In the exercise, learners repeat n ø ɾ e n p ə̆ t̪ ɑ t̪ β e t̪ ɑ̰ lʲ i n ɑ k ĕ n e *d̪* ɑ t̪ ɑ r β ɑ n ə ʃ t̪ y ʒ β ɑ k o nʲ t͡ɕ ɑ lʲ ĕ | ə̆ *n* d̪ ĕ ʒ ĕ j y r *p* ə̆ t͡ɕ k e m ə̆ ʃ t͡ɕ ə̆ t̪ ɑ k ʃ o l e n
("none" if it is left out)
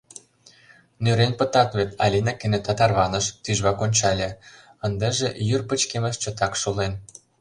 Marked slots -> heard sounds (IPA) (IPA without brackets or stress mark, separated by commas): t̪, n, p